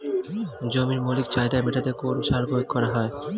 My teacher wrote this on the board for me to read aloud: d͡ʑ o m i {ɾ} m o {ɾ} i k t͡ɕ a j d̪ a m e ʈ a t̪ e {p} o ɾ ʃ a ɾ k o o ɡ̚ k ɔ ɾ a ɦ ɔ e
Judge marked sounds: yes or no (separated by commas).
yes, no, no